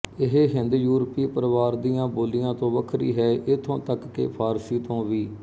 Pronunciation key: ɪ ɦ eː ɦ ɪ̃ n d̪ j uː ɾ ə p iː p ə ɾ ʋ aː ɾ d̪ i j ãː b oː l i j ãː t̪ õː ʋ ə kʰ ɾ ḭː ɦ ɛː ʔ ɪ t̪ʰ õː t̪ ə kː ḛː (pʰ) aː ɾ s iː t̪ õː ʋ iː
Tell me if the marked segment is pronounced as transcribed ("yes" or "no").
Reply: yes